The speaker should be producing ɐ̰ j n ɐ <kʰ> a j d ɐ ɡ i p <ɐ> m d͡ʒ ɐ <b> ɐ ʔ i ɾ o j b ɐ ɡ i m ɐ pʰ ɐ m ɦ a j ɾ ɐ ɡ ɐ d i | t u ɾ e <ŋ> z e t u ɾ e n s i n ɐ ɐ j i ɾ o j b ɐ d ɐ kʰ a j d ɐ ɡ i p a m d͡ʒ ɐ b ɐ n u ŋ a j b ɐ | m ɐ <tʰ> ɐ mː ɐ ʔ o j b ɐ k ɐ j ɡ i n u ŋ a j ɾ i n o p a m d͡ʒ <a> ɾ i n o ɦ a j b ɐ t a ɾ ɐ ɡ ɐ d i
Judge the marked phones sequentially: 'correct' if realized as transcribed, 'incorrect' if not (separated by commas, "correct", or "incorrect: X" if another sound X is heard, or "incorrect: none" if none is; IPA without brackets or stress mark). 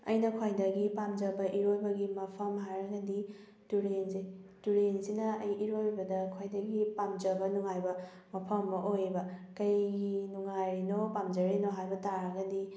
correct, incorrect: a, correct, incorrect: n, incorrect: pʰ, incorrect: ɐ